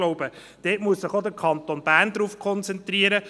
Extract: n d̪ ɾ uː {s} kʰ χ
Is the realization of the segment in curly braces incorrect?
yes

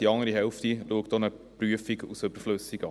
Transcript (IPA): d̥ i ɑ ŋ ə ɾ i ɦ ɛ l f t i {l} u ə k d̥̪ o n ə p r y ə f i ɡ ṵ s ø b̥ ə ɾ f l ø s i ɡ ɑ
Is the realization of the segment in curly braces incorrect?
no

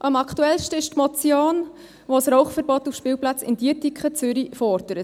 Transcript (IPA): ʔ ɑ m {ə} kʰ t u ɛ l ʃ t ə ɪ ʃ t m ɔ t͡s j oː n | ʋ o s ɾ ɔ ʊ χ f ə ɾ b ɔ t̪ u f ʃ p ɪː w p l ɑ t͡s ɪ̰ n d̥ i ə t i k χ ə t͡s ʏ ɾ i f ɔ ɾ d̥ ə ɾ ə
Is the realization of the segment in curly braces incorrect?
yes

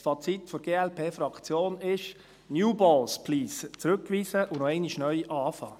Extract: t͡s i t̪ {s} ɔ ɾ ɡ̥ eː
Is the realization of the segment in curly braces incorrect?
yes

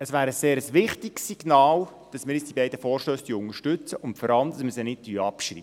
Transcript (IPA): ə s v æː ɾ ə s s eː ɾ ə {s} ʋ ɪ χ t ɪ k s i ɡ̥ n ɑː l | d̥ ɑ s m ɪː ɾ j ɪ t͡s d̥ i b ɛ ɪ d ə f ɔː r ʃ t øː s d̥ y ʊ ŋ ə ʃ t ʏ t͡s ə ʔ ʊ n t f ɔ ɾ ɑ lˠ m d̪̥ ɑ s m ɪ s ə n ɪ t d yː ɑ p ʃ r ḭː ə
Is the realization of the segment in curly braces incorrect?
no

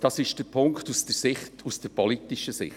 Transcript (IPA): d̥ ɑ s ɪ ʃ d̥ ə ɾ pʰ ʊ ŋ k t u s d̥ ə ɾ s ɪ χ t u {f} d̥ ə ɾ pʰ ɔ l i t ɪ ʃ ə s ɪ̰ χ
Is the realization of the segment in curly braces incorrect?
yes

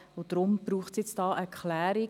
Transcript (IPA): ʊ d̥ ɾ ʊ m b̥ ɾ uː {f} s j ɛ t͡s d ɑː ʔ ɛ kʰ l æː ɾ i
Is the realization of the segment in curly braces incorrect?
yes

